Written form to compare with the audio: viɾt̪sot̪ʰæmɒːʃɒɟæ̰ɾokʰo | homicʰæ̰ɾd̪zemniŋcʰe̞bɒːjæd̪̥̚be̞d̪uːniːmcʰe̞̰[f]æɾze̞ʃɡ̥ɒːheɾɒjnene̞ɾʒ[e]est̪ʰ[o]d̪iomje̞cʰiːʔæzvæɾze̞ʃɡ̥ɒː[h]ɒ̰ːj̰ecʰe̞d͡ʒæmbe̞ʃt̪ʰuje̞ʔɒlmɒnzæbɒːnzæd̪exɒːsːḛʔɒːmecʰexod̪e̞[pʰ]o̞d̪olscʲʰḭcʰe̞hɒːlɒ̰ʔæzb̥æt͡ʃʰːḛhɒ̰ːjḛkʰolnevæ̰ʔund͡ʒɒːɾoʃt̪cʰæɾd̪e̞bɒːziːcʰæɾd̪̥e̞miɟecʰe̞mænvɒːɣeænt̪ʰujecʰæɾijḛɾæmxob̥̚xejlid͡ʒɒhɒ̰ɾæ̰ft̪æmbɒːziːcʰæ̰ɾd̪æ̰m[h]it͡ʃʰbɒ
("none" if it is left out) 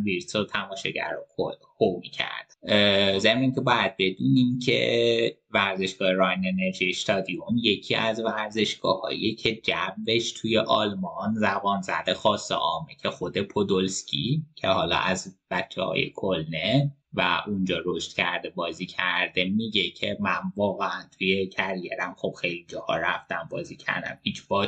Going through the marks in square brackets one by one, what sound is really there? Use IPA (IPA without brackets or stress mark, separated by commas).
v, i, ɒ, h, pʰ, h